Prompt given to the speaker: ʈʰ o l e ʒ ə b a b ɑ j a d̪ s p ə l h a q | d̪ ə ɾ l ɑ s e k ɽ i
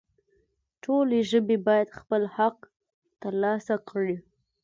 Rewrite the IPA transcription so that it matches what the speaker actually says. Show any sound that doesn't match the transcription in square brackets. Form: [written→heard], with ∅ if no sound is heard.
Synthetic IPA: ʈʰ o l e ʒ ə b [a→e] b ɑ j a d̪ [s→x] p ə l h a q | [d̪→t̪] ə ɾ l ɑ s [e→a] k ɽ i